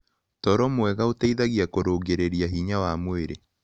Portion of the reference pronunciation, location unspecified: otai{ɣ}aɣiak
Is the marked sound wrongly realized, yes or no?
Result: yes